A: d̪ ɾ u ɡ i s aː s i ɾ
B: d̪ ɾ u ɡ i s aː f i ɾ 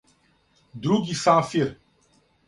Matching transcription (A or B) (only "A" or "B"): B